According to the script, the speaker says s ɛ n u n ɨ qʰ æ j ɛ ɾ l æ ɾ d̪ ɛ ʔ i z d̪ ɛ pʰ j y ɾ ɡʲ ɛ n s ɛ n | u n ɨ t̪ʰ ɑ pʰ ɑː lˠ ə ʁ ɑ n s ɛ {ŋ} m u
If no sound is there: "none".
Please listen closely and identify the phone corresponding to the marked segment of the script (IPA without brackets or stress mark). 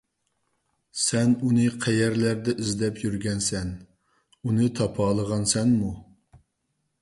n